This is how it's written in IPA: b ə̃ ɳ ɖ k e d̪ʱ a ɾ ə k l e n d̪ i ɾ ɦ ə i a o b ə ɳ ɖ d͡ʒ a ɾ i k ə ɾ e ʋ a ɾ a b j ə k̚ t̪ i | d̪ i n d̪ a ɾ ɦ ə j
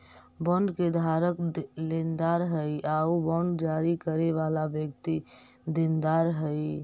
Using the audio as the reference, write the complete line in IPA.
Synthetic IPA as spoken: b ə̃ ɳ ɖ k e d̪ʱ a ɾ ə k l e n d̪ a ɾ ɦ ə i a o b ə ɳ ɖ d͡ʒ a ɾ i k ə ɾ e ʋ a l a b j ə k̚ t̪ i | d̪ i n d̪ a ɾ ɦ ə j